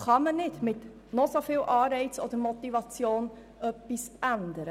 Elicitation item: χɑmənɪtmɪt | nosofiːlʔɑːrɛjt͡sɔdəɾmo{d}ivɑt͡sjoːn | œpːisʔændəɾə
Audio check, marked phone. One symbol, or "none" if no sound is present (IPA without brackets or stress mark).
t